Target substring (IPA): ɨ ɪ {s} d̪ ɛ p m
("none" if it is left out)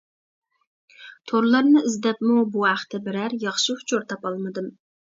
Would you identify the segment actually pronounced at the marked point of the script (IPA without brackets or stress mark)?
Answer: z